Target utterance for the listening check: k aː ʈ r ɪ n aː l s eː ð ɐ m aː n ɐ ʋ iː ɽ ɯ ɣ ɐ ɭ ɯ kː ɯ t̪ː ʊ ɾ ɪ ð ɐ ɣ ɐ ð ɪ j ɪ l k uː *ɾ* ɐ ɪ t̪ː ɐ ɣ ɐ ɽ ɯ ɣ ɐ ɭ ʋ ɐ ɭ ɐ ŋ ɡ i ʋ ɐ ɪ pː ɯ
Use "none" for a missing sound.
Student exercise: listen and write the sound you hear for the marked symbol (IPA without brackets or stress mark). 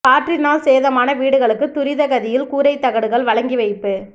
ɾ